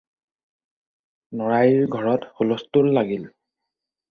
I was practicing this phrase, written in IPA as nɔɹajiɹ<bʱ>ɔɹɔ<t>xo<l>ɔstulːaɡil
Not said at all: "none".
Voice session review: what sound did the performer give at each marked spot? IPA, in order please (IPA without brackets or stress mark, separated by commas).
ɡʱ, t, l